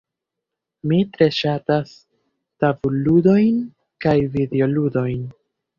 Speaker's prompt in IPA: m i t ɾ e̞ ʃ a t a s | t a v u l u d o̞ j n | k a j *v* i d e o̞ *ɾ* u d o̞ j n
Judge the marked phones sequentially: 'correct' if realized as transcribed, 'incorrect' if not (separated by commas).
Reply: correct, incorrect